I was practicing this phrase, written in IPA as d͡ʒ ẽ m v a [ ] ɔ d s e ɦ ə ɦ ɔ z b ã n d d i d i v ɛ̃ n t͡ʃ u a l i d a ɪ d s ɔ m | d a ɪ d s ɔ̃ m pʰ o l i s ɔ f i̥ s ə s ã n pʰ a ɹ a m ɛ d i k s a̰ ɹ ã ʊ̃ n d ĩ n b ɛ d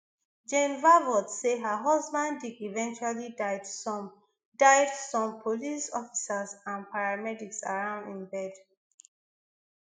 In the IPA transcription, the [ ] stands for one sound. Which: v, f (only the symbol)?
v